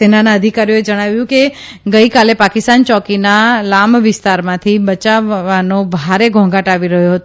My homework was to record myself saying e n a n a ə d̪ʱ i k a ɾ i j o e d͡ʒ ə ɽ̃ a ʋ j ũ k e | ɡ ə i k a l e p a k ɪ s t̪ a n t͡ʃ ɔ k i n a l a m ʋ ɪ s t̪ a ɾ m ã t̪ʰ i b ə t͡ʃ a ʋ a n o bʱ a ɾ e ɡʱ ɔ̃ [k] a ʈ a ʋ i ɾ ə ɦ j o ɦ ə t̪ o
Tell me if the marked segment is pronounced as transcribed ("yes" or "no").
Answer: no